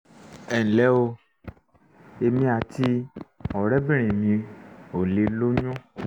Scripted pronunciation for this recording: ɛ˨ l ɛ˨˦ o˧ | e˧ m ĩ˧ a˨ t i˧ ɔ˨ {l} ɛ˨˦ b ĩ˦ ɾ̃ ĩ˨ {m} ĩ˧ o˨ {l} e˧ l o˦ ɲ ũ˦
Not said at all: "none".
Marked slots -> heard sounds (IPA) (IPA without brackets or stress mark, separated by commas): ɾ, m, l